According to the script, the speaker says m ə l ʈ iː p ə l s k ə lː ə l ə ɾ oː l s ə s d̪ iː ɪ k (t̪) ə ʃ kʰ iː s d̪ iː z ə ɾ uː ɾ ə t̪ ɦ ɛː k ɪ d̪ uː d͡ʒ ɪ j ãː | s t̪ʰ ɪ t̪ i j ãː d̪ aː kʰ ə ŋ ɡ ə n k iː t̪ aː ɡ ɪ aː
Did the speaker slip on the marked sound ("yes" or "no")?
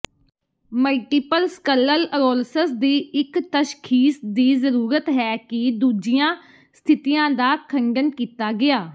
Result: no